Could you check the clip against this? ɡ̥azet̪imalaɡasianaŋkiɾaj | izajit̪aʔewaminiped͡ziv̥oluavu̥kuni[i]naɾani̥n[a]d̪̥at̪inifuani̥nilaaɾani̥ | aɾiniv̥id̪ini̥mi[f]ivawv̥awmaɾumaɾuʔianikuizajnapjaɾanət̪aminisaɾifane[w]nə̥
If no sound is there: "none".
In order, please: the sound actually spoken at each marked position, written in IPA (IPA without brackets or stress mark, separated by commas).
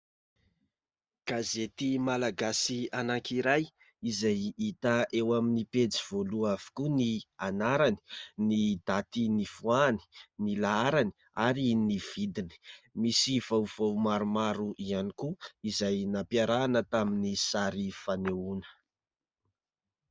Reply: a, i, s, u